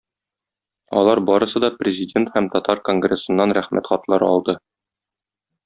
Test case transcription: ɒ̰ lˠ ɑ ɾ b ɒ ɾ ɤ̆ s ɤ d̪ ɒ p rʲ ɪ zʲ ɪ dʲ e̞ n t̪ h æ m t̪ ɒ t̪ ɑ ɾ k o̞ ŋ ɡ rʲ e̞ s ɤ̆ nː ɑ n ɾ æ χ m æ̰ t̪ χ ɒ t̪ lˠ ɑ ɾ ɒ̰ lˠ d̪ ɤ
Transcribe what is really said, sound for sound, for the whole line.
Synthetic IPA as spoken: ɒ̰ lˠ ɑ ɾ b ɒ ɾ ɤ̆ s ɤ d̪ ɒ p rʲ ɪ zʲ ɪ dʲ e̞ n t̪ h æ m t̪ ɒ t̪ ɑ ɾ k o̞ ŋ ɡ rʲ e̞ s ɤ̆ nː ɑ n ɾ æ χ m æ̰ t̪ χ ɒ t̪ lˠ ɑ ɾ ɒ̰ lˠ d̪ ɤ